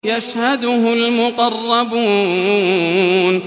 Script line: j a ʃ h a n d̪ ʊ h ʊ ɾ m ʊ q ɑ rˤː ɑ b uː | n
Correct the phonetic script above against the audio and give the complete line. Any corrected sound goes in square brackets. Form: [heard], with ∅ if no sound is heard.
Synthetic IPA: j a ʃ h a [∅] d̪ ʊ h ʊ [l] m ʊ q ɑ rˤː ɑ b uː | n